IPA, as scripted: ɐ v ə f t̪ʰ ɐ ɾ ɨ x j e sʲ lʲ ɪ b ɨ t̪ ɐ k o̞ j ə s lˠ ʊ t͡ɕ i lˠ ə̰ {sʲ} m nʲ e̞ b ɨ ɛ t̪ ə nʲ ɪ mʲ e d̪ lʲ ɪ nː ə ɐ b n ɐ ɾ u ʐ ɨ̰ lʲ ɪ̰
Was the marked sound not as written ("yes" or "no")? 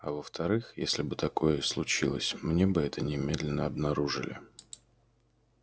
no